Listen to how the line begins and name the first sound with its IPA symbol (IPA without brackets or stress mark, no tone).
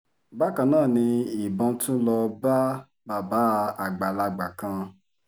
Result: b